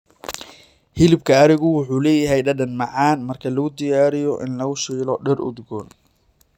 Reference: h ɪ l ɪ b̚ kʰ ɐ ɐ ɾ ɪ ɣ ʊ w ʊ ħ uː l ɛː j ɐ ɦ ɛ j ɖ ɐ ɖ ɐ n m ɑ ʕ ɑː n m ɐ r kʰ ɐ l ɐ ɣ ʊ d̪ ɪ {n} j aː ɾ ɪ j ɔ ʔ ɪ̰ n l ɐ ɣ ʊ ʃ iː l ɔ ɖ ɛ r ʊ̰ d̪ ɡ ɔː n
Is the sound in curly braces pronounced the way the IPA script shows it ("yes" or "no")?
no